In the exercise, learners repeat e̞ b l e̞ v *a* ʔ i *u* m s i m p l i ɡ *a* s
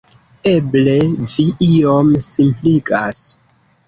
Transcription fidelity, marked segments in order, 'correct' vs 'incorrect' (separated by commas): incorrect, incorrect, correct